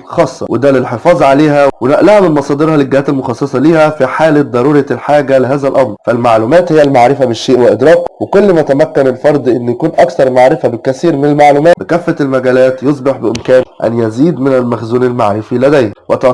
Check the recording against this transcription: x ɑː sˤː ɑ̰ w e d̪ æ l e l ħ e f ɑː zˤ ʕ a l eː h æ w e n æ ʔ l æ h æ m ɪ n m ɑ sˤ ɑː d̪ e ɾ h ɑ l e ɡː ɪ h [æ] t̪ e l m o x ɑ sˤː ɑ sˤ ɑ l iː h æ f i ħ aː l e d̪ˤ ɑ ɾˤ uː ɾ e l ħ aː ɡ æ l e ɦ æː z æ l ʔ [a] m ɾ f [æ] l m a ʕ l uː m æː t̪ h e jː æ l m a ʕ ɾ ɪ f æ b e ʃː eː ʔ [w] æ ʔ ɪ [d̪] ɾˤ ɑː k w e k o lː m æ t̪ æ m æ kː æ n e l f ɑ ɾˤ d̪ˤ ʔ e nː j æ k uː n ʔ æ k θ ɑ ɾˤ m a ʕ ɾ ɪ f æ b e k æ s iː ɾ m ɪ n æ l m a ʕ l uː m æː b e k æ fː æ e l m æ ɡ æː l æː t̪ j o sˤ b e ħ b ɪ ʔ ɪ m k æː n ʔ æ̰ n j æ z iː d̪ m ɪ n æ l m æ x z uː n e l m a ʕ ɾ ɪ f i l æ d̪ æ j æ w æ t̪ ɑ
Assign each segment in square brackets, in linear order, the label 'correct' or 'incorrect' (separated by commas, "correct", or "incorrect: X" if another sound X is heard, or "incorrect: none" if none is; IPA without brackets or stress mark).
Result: incorrect: æː, incorrect: ɑ, correct, correct, correct